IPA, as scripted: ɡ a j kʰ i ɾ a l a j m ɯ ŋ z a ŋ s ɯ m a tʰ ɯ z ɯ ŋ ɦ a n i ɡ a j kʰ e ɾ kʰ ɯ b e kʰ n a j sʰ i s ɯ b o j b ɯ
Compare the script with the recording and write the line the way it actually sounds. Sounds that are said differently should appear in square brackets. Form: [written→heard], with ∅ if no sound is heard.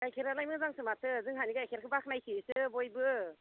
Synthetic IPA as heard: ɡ a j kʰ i ɾ a l a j m ɯ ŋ z a ŋ s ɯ m a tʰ ɯ z ɯ ŋ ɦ a n i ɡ a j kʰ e ɾ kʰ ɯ b [e→a] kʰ n a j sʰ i s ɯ b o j b ɯ